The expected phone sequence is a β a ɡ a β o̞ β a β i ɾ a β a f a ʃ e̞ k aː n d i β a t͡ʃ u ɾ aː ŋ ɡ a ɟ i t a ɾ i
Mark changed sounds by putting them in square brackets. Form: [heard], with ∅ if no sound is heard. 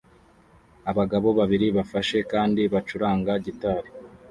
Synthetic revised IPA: a β a ɡ a β o̞ β a β i ɾ [i] β a f a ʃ e̞ k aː n d i β a t͡ʃ u ɾ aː ŋ ɡ a ɟ i t a ɾ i